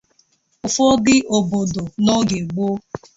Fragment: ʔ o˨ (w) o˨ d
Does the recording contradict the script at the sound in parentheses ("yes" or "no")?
yes